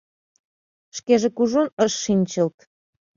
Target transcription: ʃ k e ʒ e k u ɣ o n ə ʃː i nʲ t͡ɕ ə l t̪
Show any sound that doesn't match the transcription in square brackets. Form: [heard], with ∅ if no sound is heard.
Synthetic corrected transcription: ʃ k e ʒ e k u [ʒ] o n ə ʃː i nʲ t͡ɕ ə l t̪